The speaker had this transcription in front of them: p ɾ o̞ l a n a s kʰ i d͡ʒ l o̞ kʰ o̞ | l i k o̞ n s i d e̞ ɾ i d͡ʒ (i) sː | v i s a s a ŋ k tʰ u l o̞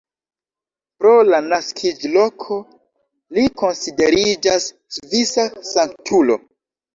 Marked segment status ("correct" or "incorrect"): incorrect